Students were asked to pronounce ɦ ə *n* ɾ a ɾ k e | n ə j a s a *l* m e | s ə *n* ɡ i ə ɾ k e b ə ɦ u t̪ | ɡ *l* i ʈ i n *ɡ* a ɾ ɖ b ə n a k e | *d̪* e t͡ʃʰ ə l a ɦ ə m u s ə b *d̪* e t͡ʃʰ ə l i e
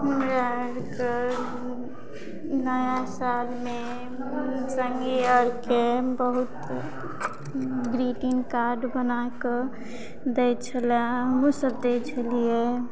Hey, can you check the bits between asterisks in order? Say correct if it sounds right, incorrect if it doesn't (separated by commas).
incorrect, correct, incorrect, incorrect, incorrect, correct, correct